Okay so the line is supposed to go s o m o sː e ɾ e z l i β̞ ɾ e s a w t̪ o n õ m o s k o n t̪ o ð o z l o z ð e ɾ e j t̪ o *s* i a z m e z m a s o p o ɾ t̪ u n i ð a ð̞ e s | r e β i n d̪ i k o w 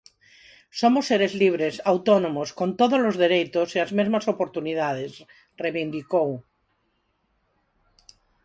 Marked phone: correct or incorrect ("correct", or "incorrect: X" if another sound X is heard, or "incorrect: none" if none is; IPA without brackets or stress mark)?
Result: correct